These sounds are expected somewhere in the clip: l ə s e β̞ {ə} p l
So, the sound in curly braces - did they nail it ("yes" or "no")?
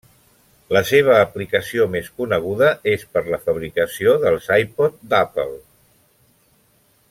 no